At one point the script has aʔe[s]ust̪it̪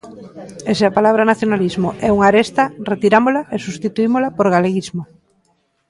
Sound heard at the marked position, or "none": s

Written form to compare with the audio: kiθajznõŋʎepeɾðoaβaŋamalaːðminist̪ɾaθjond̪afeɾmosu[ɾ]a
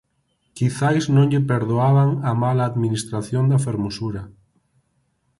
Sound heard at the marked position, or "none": ɾ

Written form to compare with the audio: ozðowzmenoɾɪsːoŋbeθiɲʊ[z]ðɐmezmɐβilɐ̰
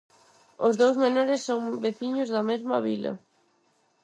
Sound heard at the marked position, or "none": z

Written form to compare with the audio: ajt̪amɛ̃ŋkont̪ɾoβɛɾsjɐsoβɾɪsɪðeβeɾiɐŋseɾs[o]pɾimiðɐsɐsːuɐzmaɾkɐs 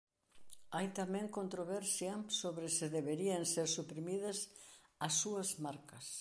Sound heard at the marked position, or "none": u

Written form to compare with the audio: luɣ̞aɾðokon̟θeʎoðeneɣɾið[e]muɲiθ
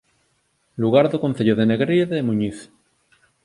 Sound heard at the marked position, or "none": e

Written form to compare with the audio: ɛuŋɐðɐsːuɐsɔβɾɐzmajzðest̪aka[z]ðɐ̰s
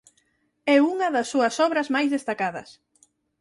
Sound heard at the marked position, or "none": none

